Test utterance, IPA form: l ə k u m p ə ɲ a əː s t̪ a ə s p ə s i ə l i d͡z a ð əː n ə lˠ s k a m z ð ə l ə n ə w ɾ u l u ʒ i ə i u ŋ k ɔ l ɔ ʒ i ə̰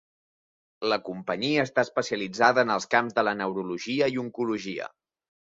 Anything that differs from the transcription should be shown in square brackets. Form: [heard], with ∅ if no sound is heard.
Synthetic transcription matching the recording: l ə k u m p ə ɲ [i] əː s t̪ a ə s p ə s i ə l i d͡z a ð əː n ə lˠ s k a m z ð ə l ə n ə w ɾ u l u ʒ i ə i u ŋ k [u] l [u] ʒ i ə̰